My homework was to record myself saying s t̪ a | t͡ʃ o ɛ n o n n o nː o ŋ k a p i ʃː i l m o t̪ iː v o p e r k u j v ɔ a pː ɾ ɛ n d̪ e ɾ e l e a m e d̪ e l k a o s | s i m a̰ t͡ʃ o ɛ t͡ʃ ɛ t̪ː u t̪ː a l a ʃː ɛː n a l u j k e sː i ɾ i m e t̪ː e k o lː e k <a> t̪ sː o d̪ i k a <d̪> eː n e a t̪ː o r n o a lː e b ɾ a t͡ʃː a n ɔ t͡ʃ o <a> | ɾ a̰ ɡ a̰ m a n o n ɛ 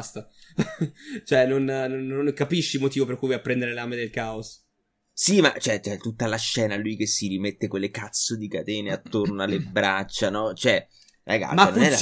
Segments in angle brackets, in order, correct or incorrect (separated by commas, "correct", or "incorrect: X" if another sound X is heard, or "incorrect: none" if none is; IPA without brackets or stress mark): correct, incorrect: t̪, incorrect: ɛ